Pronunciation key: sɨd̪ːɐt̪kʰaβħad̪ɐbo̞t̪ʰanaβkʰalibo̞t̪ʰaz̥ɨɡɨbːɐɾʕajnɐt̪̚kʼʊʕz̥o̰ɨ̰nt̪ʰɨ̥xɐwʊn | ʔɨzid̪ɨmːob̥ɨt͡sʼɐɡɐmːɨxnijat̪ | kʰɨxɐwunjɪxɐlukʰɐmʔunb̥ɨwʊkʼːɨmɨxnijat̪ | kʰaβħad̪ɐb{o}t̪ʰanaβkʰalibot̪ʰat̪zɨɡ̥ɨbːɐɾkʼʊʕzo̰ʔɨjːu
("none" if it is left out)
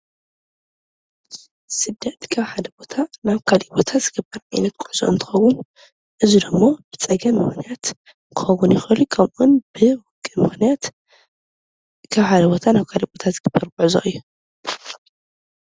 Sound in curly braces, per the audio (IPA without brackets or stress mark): o